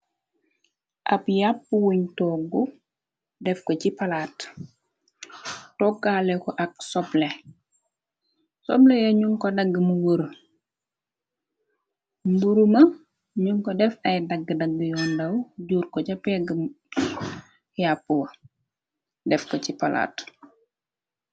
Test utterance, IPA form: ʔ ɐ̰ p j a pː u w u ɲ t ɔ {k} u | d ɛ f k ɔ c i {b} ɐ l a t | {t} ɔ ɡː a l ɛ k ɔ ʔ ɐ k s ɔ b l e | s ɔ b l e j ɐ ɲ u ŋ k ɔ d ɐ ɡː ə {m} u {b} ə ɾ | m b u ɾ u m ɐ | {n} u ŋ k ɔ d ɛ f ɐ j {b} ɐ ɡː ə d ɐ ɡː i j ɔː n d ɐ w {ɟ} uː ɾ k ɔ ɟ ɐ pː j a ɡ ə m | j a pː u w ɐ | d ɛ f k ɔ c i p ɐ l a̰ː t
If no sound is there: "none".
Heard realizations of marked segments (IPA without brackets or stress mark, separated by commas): ɡ, p, t, m, w, ɲ, d, ɟ